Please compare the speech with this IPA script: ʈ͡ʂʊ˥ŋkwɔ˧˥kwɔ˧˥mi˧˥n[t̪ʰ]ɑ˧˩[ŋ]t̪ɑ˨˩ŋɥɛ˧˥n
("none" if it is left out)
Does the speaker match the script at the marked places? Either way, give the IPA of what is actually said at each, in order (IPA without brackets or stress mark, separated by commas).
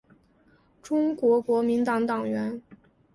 t̪, ŋ